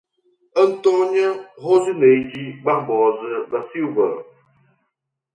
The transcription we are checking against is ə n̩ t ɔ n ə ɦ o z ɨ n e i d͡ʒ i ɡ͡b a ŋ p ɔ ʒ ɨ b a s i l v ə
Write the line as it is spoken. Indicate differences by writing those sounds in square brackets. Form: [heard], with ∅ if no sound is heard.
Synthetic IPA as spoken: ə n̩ t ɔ [ɲ] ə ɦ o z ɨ n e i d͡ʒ i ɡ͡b a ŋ [b] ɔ [z] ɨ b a s i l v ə